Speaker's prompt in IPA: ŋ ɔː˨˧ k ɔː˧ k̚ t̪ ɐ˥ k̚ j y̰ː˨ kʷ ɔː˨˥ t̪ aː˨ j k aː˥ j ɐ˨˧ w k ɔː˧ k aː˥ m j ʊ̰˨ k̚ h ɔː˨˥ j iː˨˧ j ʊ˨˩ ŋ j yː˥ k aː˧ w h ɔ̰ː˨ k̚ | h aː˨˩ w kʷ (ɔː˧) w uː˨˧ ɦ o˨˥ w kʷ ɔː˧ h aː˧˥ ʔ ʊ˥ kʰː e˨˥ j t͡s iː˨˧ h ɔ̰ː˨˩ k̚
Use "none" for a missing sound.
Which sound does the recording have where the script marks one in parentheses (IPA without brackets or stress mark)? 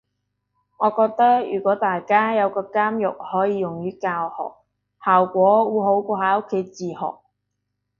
ɔː˨˥